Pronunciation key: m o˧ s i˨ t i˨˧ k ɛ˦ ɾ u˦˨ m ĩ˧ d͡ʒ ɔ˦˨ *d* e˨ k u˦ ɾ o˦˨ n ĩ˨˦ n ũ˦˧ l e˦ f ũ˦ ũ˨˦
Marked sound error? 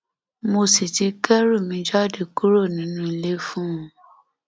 no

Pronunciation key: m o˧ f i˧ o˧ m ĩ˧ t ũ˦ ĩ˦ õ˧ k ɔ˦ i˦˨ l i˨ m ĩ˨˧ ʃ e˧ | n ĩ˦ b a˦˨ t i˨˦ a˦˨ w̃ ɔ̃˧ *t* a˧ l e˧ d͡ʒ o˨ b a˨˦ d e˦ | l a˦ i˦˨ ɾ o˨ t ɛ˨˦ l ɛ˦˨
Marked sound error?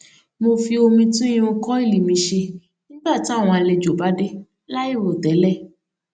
yes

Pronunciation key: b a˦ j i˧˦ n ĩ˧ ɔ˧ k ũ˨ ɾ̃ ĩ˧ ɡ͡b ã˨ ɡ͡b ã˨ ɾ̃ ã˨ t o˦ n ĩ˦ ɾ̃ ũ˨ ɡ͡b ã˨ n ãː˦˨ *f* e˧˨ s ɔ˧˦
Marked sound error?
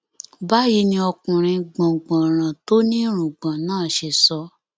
yes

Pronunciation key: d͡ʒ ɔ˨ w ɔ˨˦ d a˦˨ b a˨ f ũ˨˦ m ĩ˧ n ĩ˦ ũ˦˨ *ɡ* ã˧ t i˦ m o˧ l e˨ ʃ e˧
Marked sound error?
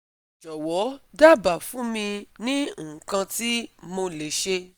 yes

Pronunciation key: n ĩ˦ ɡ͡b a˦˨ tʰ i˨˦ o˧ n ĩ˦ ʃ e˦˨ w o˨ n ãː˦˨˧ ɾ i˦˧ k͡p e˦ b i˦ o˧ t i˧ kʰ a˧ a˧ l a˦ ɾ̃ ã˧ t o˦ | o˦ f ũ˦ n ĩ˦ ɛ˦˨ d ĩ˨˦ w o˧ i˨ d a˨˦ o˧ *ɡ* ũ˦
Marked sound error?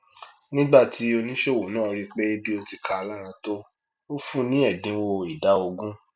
no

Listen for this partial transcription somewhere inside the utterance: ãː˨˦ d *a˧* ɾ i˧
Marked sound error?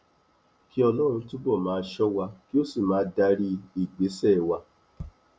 no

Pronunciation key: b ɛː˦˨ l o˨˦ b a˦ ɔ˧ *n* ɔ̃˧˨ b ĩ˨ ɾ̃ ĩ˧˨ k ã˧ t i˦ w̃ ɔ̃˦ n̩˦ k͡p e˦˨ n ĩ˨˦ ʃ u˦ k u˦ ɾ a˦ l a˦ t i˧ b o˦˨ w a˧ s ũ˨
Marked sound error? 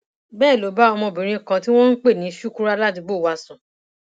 yes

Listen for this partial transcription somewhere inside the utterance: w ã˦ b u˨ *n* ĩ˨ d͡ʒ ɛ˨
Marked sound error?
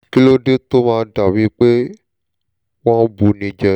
no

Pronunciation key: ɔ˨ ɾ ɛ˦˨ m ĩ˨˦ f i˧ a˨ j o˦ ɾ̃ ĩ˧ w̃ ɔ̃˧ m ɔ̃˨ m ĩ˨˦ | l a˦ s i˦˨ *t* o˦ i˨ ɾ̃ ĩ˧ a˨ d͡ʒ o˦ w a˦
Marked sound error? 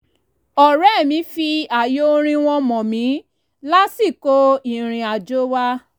yes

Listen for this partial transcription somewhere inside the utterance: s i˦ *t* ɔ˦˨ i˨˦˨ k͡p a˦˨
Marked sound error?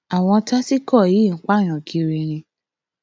yes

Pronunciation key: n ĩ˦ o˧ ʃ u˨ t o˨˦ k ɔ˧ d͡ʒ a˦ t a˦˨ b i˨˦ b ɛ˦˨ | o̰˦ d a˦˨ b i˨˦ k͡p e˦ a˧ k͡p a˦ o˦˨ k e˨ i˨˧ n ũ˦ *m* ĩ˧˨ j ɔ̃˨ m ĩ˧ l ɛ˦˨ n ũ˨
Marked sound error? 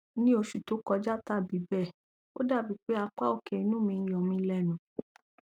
no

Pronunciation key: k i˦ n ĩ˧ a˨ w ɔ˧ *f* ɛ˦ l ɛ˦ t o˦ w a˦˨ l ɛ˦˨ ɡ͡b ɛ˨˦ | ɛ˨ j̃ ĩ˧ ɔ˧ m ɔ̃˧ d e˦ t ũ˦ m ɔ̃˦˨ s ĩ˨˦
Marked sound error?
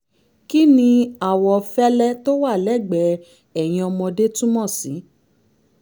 no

